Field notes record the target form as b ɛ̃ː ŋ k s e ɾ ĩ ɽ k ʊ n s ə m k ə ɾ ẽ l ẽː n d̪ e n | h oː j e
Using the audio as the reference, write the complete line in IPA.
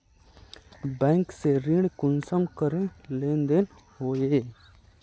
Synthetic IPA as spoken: b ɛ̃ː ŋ k s e ɾ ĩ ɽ k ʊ n s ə m k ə ɾ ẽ l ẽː n d̪ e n | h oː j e